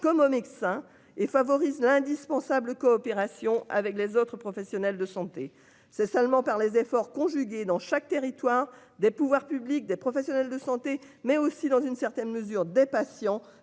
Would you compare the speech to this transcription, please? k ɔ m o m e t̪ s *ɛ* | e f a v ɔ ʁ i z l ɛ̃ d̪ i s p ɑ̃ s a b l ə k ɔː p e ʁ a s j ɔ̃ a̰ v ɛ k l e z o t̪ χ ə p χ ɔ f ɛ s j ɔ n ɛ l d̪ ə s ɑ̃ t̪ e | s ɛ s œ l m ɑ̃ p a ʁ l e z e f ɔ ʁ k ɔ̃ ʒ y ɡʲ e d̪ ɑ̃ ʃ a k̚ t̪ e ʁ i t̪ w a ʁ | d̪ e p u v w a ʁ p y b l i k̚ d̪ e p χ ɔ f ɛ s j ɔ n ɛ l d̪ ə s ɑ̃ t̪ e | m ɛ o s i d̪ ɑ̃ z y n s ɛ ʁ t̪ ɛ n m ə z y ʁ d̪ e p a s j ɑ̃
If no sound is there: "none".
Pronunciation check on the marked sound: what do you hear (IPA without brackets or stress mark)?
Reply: ɛ̃